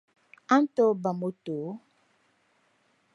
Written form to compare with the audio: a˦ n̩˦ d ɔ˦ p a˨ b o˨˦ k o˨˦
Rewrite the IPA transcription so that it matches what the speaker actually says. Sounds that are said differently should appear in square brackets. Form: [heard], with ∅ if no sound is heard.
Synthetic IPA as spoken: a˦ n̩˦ [t] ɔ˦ [b] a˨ [m] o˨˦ [t] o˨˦